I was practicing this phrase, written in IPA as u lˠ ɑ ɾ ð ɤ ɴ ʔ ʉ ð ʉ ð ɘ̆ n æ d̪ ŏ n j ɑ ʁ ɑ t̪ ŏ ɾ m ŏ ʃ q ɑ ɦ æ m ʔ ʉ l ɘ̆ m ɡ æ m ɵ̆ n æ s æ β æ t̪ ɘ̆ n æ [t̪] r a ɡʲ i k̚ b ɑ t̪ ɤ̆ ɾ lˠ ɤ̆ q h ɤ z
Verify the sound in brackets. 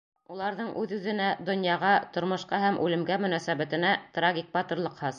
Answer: correct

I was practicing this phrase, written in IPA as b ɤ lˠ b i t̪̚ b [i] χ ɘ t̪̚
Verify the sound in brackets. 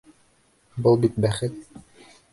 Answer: incorrect: æ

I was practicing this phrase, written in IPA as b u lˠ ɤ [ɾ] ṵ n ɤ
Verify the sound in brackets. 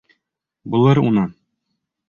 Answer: correct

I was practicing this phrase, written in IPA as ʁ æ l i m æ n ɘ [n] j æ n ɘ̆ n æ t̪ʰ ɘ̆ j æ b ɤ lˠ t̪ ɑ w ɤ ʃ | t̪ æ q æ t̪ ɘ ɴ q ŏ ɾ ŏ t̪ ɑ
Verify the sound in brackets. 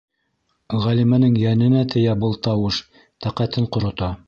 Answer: incorrect: ŋ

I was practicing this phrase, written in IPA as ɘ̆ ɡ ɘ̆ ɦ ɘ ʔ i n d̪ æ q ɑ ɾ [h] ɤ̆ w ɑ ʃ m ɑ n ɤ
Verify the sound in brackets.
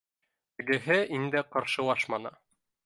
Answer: incorrect: ʃ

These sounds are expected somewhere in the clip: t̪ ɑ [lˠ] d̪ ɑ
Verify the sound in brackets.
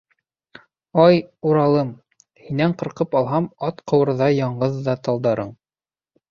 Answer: correct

